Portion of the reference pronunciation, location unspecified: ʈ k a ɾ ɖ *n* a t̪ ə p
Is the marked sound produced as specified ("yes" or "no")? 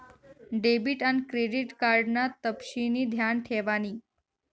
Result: yes